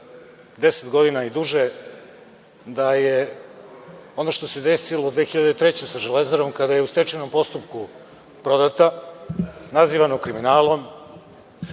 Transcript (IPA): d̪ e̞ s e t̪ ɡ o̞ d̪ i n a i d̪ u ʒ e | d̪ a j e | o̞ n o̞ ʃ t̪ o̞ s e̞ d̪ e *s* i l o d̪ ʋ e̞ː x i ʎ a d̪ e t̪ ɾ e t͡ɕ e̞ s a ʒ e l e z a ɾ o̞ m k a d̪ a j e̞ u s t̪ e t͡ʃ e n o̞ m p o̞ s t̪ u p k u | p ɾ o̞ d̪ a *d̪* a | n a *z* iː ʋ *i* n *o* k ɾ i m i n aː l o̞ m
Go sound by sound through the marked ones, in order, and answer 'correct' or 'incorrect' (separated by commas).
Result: correct, incorrect, correct, incorrect, correct